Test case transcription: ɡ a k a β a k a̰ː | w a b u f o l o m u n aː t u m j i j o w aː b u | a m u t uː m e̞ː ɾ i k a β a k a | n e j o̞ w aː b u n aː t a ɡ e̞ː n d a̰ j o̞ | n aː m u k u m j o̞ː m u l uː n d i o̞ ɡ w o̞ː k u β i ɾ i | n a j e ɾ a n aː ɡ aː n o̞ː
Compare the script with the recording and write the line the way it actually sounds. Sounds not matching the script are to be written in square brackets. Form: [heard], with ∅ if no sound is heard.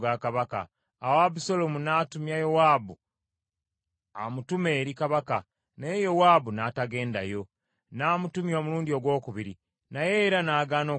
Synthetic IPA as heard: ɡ a k a β a k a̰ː | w a b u [s] o l o m u n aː t u m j [a] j o w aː b u | a m u t [u] m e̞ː ɾ i k a β a k a | n e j o̞ w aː b u n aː t a ɡ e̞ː n d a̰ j o̞ | n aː m u [t] u m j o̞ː m u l uː n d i o̞ ɡ w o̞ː k u β i ɾ i | n a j e ɾ a n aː ɡ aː n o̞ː